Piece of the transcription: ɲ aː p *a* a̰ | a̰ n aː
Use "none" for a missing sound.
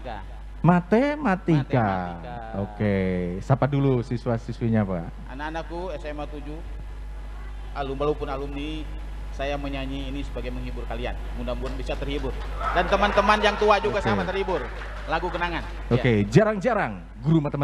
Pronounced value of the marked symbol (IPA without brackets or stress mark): a